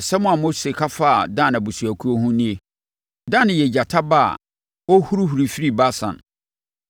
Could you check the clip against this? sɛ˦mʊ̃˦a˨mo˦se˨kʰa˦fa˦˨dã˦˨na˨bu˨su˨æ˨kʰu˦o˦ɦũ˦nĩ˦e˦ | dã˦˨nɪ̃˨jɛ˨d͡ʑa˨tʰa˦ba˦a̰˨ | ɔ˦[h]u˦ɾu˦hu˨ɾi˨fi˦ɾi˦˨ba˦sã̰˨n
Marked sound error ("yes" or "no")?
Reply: no